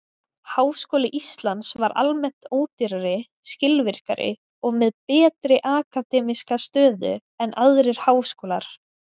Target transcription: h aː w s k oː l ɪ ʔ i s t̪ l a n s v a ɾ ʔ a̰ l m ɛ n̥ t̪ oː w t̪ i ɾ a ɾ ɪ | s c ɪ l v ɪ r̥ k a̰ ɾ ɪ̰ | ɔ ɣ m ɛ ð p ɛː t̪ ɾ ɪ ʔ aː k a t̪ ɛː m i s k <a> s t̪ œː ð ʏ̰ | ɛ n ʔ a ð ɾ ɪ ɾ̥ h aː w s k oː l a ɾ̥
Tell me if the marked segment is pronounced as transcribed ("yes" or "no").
yes